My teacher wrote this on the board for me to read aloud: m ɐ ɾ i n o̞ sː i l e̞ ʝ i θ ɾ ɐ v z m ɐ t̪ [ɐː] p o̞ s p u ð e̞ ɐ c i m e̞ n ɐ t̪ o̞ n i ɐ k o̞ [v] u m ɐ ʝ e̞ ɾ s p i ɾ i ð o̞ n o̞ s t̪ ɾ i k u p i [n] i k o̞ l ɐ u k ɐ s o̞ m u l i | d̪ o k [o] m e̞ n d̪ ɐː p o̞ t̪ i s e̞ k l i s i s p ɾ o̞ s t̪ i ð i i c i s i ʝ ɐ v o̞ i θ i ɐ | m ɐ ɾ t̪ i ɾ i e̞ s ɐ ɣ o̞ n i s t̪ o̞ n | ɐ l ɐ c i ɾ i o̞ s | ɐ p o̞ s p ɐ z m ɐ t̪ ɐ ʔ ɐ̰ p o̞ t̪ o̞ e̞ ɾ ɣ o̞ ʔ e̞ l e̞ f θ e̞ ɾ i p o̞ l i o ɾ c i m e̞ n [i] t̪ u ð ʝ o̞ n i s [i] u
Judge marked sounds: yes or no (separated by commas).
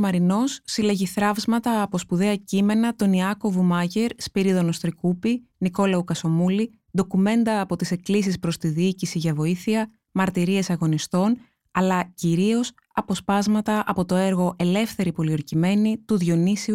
yes, yes, yes, no, yes, yes